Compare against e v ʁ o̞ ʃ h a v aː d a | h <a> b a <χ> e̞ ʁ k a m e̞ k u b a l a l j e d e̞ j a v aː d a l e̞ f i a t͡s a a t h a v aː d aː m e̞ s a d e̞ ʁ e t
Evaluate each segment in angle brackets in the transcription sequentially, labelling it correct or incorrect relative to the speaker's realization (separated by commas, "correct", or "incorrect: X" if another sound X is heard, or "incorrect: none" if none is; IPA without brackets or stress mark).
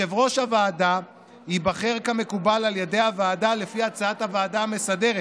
incorrect: i, correct